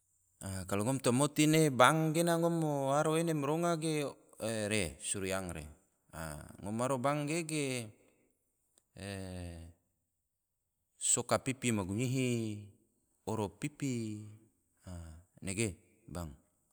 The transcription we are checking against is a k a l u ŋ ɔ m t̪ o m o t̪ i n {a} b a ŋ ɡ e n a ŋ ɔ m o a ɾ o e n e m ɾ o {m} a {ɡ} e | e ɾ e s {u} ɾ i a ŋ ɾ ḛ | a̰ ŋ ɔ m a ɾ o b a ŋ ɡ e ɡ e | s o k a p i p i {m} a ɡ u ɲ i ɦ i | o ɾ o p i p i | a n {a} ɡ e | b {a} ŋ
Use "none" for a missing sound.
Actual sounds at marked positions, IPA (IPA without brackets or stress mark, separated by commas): e, ŋ, ɡ, u, m, e, a